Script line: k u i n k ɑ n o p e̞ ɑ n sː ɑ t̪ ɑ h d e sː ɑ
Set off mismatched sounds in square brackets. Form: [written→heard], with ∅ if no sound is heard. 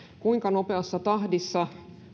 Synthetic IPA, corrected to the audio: k u i [n→ŋ] k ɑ n o p e̞ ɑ [n→∅] sː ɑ t̪ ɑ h d [e→i] sː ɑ